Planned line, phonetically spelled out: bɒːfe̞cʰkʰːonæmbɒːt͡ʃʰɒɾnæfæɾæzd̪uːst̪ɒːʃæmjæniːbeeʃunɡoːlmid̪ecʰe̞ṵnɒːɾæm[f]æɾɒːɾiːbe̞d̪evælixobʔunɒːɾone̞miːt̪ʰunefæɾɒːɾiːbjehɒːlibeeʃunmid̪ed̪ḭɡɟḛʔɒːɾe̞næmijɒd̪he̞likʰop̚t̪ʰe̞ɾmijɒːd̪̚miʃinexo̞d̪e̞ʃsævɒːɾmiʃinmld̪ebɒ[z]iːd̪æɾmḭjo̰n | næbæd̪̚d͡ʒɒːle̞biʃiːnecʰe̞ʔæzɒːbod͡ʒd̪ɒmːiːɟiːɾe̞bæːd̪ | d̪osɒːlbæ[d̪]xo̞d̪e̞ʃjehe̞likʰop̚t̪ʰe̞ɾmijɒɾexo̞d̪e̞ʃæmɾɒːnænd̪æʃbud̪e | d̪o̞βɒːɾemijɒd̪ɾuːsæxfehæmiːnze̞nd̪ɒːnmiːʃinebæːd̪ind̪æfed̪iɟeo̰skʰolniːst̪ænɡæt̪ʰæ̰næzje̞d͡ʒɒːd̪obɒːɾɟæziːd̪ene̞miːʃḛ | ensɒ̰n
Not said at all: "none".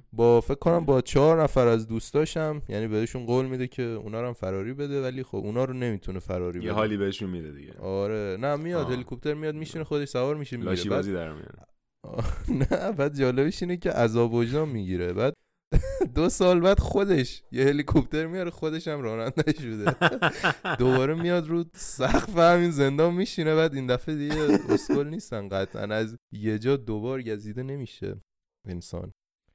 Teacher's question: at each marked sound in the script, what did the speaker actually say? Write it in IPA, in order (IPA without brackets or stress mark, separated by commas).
f, z, d̪